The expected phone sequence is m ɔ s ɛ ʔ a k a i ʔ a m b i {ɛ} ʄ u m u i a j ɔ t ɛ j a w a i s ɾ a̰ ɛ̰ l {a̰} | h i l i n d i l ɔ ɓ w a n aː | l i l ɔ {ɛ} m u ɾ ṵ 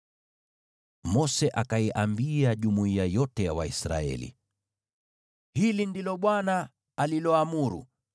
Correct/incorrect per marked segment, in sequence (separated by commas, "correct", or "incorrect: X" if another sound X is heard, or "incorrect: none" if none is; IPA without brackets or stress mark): incorrect: a, incorrect: ḭ, incorrect: a